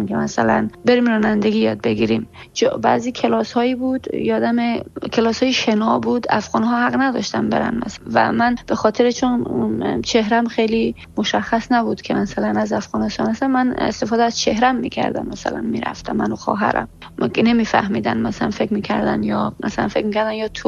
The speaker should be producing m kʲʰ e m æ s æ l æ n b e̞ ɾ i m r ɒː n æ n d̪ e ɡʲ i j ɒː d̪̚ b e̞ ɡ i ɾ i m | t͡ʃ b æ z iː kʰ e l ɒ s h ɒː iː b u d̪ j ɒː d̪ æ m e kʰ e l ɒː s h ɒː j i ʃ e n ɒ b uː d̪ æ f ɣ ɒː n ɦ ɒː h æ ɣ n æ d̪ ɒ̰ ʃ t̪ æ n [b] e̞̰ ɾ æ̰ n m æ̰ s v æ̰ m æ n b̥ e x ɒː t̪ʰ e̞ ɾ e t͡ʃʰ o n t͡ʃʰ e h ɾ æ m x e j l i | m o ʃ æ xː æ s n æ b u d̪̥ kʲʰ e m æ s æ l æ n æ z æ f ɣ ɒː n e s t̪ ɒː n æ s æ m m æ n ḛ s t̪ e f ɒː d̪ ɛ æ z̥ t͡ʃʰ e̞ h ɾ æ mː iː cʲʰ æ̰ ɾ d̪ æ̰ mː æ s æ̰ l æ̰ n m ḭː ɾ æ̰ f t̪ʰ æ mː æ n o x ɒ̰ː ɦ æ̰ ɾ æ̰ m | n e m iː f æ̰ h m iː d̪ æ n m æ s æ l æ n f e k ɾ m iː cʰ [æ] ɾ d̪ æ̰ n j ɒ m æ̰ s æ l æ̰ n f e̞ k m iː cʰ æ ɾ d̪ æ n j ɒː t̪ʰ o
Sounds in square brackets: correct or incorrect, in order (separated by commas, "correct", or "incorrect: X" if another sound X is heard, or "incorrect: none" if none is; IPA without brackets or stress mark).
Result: correct, correct